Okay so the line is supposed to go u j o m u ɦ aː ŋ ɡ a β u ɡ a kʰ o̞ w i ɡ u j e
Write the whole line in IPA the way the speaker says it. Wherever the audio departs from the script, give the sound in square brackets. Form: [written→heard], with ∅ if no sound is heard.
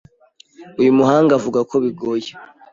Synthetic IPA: u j [o→u] m u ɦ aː ŋ ɡ a [β→v] u ɡ a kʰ o̞ [w→β] i ɡ [u→o] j e